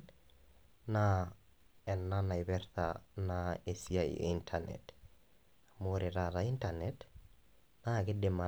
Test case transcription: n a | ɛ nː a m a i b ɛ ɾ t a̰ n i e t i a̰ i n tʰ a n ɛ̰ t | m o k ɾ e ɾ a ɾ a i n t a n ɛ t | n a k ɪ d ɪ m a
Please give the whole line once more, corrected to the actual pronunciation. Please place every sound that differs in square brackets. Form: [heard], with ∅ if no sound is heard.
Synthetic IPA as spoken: n a | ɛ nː a [n] a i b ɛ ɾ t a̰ n [a] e [s] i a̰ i n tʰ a n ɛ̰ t | m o [∅] ɾ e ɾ a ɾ a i n t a n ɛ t | n a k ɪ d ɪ m a